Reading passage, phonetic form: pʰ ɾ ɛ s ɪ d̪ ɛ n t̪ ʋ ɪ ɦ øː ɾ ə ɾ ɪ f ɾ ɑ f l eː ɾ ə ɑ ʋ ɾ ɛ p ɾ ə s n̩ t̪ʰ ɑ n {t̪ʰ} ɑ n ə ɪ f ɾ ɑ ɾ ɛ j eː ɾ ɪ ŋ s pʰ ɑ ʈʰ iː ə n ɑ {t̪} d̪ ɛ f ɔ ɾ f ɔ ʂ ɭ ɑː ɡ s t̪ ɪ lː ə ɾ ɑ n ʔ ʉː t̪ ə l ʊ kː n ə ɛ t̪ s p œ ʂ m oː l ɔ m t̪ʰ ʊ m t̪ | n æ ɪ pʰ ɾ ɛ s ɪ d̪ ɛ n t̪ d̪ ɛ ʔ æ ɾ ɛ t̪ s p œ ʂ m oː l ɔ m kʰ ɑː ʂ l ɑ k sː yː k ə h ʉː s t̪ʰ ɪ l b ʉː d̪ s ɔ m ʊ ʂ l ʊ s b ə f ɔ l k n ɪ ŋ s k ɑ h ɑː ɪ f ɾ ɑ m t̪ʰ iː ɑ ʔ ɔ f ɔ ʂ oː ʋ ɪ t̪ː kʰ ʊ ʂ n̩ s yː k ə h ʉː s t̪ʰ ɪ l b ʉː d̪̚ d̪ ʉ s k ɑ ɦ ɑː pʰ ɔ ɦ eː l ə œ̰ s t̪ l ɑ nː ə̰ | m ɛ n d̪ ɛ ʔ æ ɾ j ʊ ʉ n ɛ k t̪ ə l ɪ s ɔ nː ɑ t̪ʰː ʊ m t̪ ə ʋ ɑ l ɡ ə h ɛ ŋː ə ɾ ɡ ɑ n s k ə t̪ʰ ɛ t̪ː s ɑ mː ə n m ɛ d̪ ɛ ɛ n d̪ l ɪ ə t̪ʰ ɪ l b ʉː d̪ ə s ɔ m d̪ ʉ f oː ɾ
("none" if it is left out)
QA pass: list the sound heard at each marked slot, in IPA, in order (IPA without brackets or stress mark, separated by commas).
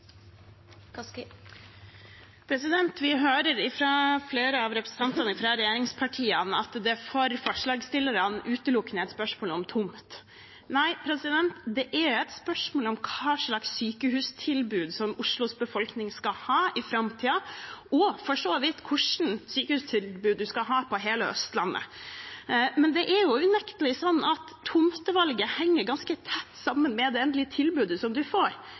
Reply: t̪, t̪